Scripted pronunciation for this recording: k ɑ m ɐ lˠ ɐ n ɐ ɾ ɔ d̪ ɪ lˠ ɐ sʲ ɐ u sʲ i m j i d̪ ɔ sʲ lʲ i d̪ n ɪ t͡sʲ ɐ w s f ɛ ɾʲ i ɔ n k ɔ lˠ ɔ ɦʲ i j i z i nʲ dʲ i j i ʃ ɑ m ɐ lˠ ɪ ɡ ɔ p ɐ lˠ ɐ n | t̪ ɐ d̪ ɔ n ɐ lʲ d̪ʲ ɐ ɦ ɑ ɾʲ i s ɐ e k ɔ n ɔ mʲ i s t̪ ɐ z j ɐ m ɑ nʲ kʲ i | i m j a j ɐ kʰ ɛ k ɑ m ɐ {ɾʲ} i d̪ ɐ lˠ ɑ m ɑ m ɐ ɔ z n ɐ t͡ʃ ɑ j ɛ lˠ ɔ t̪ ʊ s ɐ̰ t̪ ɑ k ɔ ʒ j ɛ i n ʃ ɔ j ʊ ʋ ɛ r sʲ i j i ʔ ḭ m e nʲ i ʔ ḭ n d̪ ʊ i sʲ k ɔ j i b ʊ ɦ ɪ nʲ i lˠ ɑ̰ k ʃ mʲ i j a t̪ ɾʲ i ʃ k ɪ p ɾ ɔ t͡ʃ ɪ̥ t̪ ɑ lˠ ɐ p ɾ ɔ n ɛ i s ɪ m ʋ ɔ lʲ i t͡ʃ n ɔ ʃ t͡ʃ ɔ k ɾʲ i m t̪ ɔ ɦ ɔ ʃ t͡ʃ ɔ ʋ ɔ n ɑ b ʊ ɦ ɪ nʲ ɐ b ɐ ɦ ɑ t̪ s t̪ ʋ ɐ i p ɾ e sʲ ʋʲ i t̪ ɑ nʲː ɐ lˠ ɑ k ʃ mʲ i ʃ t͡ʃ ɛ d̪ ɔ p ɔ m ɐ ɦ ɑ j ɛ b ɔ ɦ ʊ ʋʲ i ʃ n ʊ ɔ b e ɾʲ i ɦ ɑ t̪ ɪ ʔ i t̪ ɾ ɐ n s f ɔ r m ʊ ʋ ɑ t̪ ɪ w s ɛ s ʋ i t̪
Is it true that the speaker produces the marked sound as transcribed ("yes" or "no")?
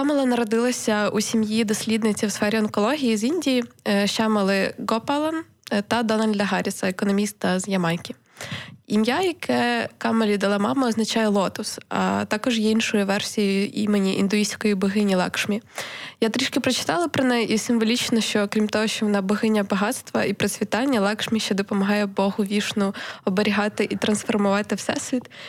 no